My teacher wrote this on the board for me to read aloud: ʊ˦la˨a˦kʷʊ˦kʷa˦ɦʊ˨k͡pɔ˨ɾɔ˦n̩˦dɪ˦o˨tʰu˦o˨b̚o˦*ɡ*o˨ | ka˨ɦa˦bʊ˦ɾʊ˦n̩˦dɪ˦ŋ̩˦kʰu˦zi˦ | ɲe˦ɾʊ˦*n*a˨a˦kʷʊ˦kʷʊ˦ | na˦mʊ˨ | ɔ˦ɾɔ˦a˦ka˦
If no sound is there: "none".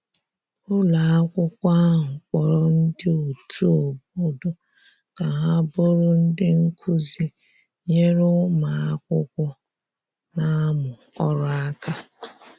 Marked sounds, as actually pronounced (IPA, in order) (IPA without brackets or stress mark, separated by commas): d, m